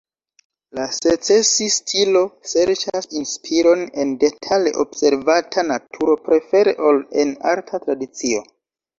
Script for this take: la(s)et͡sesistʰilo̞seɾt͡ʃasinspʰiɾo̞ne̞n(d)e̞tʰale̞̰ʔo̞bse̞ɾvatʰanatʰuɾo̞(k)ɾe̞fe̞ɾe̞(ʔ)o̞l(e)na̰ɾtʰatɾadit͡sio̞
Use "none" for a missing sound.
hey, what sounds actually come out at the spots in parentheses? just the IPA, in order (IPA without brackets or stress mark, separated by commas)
s, d, p, ʔ, e